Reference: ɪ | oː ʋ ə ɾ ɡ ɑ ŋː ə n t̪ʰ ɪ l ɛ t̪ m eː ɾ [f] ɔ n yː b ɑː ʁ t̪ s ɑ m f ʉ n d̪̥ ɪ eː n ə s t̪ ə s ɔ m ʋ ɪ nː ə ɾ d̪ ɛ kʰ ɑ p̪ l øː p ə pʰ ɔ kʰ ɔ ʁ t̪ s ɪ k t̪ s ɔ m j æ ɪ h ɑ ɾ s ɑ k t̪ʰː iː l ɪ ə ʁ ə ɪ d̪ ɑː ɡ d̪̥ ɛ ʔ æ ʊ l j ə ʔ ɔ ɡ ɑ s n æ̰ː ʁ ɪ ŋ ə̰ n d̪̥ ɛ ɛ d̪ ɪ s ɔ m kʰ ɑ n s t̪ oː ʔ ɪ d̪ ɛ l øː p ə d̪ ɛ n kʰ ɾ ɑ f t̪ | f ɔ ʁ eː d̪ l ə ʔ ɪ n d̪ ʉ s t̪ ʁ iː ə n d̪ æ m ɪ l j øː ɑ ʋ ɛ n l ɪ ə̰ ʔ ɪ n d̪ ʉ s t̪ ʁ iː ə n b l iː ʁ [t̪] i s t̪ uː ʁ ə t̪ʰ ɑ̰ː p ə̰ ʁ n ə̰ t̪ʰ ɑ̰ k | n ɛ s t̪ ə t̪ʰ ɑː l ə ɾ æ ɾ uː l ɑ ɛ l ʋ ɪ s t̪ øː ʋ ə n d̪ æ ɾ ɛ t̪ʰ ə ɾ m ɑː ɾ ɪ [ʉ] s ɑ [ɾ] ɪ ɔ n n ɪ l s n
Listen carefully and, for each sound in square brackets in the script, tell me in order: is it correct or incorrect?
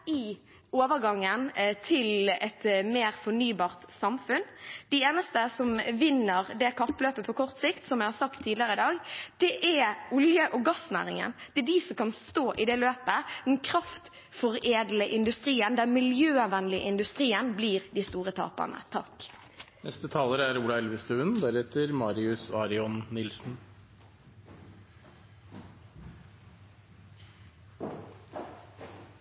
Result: correct, incorrect, correct, correct

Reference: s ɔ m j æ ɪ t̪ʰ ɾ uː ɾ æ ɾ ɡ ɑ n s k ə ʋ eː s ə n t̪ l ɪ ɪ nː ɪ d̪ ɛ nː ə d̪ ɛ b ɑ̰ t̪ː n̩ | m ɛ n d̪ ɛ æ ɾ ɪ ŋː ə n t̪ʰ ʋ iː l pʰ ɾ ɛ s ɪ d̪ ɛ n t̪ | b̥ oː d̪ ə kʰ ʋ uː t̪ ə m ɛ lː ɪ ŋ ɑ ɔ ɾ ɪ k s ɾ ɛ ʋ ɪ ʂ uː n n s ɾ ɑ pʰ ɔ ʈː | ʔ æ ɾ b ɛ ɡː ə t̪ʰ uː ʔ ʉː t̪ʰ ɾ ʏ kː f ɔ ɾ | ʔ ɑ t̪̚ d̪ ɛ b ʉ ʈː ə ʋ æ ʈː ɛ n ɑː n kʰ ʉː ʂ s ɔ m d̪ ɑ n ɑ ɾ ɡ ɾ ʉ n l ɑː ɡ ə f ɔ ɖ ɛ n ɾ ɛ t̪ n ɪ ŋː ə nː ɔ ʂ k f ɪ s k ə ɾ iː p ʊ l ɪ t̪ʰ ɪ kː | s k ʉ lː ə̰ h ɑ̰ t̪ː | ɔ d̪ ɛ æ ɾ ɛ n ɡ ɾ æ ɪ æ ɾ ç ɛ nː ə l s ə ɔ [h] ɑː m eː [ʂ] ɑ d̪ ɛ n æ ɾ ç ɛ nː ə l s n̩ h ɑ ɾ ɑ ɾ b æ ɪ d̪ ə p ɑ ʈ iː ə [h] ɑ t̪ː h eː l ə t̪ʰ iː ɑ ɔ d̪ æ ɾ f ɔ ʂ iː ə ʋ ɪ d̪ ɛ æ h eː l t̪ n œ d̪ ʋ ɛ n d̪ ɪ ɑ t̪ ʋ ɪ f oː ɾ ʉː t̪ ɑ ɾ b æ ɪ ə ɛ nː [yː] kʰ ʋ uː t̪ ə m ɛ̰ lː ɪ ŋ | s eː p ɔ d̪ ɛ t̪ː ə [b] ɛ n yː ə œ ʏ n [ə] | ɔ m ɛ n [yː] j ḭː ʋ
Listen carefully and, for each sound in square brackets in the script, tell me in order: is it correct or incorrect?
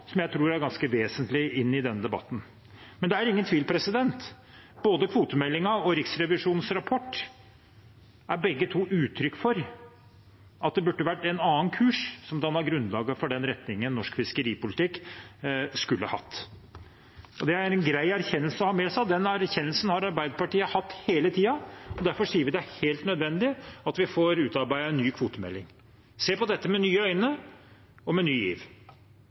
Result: correct, incorrect, correct, correct, incorrect, correct, correct

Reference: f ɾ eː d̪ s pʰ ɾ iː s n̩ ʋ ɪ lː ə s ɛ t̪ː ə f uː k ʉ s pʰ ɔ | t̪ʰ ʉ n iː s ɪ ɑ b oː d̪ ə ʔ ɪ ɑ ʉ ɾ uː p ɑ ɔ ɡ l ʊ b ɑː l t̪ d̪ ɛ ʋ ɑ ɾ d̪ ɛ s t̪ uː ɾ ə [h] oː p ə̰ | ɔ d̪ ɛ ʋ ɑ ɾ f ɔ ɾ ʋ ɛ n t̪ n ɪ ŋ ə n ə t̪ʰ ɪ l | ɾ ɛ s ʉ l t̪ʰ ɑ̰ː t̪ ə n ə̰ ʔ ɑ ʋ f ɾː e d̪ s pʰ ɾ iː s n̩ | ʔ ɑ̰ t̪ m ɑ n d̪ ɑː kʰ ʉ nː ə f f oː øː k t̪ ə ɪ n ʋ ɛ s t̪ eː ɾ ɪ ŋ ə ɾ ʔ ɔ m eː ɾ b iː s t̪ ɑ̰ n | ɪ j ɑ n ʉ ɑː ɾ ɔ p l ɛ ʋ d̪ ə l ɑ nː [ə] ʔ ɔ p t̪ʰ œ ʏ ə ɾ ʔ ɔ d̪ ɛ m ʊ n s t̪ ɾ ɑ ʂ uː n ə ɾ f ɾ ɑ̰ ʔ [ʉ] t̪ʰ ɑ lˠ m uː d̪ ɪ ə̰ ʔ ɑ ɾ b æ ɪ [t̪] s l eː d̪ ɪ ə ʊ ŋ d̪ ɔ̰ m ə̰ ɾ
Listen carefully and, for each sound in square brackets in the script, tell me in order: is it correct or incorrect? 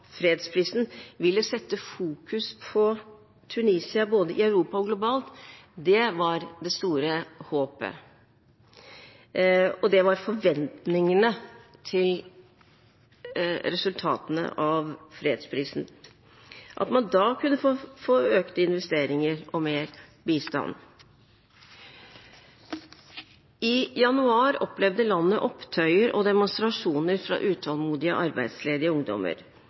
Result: correct, correct, incorrect, incorrect

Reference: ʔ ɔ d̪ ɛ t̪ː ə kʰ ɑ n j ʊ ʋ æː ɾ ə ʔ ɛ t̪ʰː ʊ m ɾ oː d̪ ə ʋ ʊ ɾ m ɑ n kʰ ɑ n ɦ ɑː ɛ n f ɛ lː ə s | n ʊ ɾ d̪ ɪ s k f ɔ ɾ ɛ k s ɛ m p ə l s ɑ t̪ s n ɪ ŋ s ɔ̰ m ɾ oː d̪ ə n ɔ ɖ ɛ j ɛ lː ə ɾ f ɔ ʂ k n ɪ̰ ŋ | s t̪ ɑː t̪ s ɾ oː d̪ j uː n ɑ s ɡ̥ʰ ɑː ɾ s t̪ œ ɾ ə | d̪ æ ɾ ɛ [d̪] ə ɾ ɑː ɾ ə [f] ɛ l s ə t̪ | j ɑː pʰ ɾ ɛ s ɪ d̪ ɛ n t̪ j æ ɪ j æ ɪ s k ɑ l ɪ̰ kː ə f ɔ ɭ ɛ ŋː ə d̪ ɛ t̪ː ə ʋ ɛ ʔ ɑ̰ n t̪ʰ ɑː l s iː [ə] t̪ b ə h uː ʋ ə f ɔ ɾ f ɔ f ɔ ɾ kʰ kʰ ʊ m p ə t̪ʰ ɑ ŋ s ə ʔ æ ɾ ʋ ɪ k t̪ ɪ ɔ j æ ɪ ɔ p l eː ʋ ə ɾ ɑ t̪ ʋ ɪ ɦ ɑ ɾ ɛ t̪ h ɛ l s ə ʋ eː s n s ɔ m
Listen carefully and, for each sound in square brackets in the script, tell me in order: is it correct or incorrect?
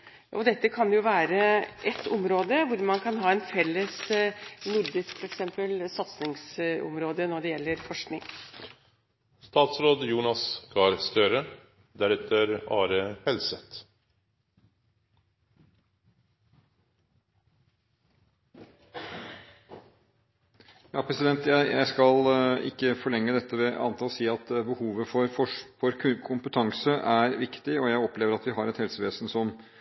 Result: incorrect, incorrect, incorrect

